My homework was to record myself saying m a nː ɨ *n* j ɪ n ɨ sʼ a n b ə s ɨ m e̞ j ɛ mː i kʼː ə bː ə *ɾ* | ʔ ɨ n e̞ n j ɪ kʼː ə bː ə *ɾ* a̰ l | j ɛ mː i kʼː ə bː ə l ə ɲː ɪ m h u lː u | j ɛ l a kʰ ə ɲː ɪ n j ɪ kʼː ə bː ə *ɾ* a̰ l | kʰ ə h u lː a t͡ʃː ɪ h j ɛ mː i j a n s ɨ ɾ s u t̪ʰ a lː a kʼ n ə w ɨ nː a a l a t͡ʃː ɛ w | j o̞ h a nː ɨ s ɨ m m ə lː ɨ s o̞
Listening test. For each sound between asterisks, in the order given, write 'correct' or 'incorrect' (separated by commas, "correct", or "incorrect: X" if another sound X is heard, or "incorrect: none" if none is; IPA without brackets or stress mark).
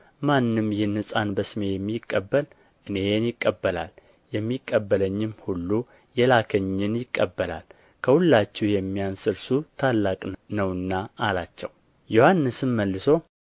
incorrect: m, incorrect: l, incorrect: l, incorrect: l